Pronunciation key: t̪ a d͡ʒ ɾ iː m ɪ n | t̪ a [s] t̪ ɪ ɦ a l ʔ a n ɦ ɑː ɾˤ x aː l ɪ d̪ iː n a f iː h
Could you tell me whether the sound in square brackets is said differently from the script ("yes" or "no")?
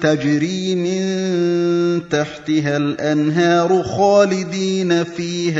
yes